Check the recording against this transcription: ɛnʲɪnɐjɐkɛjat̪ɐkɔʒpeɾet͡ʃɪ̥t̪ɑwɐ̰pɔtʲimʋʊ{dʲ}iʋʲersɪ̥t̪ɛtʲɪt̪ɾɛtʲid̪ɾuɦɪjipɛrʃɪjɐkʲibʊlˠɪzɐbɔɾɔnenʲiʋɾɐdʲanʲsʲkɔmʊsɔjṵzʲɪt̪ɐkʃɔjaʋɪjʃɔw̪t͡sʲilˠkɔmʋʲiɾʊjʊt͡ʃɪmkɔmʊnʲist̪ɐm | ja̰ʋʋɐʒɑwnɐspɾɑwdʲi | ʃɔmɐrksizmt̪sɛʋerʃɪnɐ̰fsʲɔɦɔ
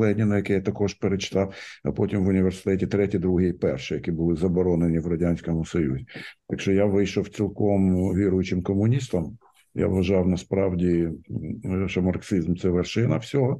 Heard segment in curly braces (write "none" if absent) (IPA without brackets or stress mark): nʲ